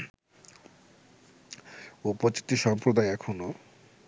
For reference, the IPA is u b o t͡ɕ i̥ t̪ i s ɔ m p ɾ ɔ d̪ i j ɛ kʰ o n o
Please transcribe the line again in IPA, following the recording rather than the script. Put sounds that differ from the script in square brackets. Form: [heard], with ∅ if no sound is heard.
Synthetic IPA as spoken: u [p] o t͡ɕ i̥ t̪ i [ʃ] ɔ m p ɾ [o] d̪ [a] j ɛ kʰ o n o